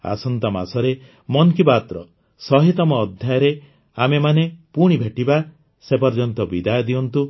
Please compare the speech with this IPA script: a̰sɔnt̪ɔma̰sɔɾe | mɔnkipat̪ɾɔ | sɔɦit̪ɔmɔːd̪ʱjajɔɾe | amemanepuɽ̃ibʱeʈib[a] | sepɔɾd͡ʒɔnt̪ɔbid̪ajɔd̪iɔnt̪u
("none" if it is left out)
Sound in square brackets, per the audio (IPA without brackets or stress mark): a